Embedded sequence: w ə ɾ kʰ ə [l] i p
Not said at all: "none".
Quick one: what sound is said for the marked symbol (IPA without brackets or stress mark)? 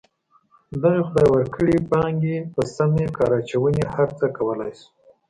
ɽ